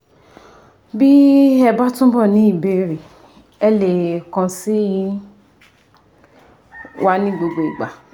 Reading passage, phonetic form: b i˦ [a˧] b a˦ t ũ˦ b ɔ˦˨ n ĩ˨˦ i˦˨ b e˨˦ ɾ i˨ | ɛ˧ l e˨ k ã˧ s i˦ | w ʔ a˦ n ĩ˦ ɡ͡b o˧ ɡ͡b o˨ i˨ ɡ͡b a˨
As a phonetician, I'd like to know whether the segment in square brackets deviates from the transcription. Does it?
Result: yes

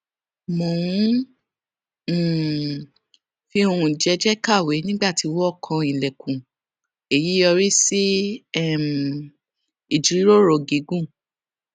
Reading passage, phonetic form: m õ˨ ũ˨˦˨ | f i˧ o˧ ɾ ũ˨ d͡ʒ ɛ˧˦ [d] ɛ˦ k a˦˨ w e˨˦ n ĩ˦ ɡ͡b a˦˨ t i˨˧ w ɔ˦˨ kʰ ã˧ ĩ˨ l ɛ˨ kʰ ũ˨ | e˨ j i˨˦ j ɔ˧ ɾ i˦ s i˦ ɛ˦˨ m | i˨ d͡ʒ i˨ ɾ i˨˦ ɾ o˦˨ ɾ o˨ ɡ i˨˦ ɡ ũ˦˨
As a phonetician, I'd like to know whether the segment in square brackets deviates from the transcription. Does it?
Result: yes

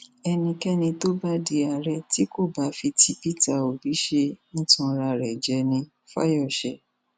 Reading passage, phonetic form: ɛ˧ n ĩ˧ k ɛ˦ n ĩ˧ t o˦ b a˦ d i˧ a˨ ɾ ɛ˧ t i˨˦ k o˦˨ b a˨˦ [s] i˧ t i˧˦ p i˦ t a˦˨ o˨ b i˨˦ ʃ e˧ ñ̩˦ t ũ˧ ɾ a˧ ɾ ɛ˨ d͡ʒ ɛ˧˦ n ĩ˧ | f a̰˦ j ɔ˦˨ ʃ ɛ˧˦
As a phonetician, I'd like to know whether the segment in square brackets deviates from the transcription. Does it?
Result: yes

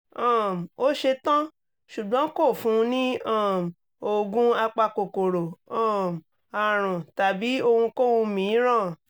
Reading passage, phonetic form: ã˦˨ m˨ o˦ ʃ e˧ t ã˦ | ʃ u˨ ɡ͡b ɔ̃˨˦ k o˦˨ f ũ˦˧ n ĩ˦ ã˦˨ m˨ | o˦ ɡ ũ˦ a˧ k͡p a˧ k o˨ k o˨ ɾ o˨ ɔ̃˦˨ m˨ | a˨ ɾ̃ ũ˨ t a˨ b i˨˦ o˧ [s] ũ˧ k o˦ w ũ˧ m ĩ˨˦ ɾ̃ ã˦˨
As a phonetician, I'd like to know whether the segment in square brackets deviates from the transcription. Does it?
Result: yes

